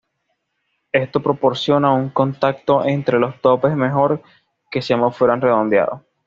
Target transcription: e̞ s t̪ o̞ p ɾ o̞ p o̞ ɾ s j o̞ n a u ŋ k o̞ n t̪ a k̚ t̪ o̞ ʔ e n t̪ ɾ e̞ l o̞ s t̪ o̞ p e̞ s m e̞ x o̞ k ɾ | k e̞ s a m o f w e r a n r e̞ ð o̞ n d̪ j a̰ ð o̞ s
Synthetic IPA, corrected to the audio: e̞ s t̪ o̞ p ɾ o̞ p o̞ ɾ s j o̞ n a u ŋ k o̞ n t̪ a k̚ t̪ o̞ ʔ e n t̪ ɾ e̞ l o̞ s t̪ o̞ p e̞ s m e̞ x o̞ ɾ | k e̞ s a m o f w e ɾ a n r e̞ ð o̞ n d̪ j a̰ ð o̞ s